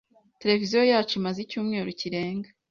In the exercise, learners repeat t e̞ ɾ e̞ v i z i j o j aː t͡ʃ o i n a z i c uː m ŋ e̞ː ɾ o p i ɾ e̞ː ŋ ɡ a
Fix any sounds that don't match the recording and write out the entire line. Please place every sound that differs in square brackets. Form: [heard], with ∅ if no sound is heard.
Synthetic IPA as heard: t e̞ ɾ e̞ v i z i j o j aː t͡ʃ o i [m] a z i c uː m ŋ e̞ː ɾ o [c] i ɾ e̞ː ŋ ɡ a